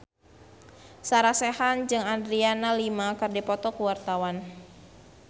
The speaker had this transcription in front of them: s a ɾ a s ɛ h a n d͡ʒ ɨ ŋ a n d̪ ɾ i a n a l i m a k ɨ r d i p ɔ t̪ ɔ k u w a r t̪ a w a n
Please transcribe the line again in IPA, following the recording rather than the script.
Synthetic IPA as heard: s a ɾ a s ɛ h a n d͡ʒ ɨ ŋ a n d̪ ɾ i a n a l i m a k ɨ r d i p ɔ t̪ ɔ k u w a r t̪ a w a n